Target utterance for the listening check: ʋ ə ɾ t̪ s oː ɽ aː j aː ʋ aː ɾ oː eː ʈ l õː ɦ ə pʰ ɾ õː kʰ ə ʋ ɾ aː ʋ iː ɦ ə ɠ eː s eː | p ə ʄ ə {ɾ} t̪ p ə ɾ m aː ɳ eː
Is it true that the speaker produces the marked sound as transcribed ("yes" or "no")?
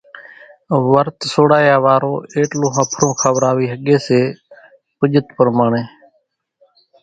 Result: no